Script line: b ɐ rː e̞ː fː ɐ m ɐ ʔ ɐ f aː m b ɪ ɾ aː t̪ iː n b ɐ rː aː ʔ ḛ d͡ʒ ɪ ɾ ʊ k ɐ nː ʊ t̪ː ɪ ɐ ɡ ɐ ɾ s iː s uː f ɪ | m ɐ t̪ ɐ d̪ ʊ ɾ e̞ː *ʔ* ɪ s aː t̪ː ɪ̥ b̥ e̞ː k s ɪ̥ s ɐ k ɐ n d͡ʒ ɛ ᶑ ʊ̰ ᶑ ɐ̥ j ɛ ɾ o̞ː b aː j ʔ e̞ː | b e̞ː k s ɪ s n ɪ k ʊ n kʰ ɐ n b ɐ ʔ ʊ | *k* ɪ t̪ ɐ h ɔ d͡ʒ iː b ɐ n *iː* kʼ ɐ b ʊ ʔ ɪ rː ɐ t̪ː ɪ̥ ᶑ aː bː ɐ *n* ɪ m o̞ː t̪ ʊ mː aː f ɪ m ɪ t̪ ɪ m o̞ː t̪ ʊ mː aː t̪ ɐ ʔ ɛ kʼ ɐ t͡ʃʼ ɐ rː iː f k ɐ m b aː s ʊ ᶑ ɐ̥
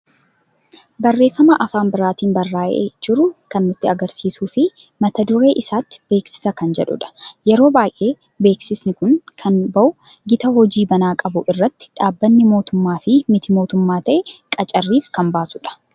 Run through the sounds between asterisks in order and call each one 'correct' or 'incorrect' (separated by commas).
correct, incorrect, incorrect, incorrect